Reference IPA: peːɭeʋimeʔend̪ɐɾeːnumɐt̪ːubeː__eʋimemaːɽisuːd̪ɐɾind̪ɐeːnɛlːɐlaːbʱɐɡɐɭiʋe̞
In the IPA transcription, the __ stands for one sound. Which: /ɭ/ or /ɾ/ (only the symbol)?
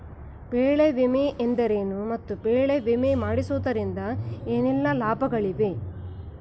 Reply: ɭ